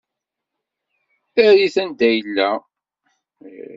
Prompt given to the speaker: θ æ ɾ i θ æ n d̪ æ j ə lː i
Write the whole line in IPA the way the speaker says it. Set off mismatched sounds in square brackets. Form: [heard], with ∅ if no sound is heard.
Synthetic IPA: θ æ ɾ i θ æ n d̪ æ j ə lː [æ]